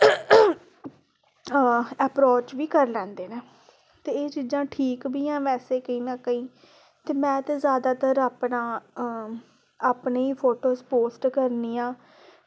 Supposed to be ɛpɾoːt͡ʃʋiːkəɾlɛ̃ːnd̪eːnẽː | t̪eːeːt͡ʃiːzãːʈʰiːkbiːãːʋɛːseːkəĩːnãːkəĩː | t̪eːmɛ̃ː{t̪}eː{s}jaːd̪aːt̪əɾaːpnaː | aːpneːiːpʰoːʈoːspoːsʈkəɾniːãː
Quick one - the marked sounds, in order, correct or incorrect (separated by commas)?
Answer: correct, incorrect